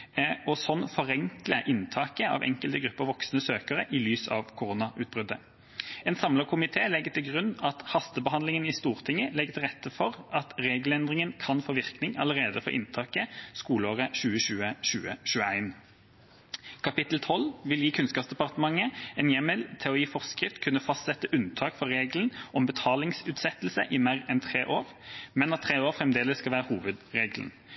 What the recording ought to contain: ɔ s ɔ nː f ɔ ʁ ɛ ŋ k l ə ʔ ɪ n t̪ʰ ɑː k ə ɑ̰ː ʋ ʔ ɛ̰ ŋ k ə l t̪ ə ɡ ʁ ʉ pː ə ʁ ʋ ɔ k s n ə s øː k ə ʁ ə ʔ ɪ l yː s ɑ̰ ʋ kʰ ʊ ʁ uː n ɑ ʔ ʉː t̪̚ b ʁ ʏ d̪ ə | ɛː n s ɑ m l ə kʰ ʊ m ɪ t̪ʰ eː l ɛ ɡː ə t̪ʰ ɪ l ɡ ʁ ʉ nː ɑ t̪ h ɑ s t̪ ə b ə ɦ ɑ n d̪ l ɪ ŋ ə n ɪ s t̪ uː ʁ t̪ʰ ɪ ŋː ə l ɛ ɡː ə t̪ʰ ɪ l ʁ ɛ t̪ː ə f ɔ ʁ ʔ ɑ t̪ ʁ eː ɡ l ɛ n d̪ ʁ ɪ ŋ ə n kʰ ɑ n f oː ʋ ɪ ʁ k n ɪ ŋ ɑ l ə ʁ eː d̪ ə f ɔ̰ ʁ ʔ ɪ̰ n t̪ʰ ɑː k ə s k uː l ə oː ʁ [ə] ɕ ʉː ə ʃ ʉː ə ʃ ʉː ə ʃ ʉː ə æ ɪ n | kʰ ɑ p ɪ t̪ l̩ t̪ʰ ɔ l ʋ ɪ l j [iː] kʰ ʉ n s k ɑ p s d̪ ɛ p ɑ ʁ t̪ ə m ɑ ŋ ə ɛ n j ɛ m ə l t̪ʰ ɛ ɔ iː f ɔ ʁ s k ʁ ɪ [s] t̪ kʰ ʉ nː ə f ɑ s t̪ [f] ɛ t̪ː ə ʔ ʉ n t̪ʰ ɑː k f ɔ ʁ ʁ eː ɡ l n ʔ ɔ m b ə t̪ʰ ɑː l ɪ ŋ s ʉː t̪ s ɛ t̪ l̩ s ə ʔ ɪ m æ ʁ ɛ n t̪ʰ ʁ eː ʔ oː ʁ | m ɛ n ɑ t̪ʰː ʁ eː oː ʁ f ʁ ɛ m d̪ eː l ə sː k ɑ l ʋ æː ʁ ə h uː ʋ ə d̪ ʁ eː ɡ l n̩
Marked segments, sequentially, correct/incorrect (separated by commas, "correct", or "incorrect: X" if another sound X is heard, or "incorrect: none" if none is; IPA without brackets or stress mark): correct, correct, incorrect: f, incorrect: s